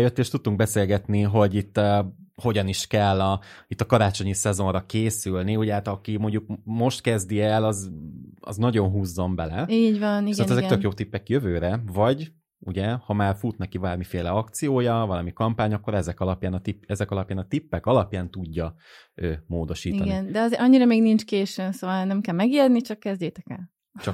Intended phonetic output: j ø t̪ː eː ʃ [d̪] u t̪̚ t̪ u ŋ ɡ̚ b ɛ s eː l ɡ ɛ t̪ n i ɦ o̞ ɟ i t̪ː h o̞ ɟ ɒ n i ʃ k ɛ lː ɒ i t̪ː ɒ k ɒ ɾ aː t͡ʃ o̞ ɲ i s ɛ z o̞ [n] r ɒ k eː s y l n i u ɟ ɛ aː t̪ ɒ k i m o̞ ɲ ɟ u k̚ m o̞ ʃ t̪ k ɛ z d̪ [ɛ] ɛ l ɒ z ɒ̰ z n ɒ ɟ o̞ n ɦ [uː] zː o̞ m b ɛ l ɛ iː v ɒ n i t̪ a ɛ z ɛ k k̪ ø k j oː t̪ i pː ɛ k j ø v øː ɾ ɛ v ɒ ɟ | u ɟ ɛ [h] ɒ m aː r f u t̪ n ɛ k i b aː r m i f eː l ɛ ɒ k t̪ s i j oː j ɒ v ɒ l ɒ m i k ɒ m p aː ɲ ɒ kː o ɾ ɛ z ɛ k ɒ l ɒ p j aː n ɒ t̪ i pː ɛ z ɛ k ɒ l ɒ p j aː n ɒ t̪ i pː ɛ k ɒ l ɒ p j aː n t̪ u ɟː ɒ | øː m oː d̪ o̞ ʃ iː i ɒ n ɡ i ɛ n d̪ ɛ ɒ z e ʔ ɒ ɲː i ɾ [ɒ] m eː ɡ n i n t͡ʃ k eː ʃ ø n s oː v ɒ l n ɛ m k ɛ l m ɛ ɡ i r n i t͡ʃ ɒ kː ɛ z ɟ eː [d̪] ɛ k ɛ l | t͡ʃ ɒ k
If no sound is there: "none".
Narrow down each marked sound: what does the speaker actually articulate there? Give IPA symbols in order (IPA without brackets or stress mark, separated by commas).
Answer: t̪, n, i, uː, h, ɒ, t̪